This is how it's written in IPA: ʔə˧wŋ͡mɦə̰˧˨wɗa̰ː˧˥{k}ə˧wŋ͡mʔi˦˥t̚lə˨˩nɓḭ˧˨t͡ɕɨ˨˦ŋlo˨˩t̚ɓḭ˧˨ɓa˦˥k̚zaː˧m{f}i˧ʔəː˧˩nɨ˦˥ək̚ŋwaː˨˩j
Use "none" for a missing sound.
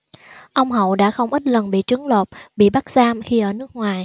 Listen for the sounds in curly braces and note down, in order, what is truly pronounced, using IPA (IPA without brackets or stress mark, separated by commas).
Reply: x, x